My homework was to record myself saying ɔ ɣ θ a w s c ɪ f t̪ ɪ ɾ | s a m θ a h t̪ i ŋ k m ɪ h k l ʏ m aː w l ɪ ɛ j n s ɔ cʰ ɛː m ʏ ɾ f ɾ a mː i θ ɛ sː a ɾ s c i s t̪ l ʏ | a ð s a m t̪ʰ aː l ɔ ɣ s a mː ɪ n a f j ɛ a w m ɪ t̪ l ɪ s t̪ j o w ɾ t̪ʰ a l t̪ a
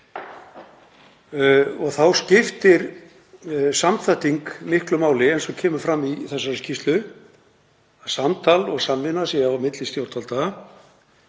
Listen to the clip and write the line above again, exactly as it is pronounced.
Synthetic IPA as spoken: ɔ ɣ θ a w s c ɪ f t̪ ɪ ɾ | s a m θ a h t̪ i ŋ k m ɪ h k l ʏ m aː w l ɪ ɛ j n s ɔ cʰ ɛː m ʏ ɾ f ɾ a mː i θ ɛ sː a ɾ s c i s t̪ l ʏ | a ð s a m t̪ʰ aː l ɔ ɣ s a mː ɪ n a s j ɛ a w m ɪ t̪ l ɪ s t̪ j o w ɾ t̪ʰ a l t̪ a